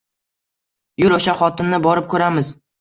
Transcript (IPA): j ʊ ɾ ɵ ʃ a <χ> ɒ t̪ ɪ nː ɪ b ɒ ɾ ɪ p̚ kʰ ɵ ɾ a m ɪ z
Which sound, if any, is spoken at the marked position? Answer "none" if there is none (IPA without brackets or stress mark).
χ